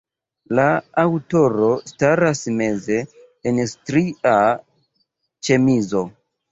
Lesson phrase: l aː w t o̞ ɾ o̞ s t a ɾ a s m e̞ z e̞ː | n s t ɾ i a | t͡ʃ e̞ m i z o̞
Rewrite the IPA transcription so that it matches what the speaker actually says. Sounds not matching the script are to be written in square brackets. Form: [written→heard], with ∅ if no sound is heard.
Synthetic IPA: l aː w t o̞ ɾ o̞ s t a ɾ a s m e̞ z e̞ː | n s t ɾ i a | t͡ʃ e̞ m i z o̞